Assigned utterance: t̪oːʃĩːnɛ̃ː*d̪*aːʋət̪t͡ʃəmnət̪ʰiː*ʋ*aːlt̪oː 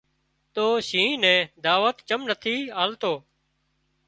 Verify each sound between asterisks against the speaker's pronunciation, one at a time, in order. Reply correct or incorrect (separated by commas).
correct, incorrect